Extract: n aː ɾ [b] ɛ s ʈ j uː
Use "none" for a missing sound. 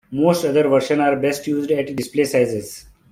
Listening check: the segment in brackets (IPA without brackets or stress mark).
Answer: b